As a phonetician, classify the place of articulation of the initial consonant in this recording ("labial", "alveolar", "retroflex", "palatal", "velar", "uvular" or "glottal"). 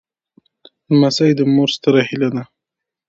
labial